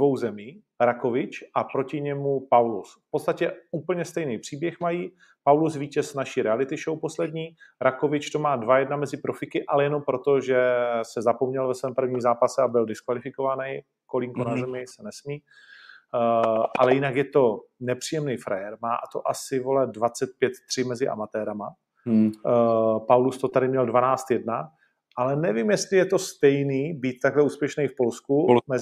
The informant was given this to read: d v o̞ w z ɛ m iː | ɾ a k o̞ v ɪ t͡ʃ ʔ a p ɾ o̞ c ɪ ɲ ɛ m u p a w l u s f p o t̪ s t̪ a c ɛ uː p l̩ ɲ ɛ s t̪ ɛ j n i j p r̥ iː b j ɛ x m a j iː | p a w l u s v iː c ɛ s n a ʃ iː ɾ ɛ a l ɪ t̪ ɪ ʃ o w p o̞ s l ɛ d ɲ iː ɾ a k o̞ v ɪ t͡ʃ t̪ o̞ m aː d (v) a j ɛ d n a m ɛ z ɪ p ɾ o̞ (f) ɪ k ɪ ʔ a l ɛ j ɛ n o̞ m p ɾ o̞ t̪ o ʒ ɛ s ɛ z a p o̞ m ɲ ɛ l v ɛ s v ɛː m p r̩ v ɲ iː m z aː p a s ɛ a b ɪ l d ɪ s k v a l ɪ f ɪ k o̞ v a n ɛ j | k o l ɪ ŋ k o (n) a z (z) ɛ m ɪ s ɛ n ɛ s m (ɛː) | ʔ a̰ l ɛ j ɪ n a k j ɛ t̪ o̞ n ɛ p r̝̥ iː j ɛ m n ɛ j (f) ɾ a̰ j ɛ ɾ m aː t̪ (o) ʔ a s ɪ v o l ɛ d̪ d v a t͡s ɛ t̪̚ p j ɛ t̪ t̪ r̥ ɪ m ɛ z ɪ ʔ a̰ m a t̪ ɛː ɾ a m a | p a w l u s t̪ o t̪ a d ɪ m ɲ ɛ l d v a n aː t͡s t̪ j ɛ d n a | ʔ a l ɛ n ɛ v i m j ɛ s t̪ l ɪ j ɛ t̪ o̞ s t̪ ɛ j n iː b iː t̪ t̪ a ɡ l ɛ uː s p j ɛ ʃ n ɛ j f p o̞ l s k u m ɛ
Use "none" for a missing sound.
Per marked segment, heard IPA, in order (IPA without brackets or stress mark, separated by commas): v, f, n, z, iː, f, o